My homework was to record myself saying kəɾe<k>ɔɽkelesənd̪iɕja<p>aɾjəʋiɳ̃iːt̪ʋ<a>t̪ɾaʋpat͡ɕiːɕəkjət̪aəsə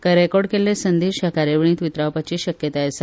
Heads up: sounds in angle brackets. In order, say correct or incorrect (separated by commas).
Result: correct, incorrect, incorrect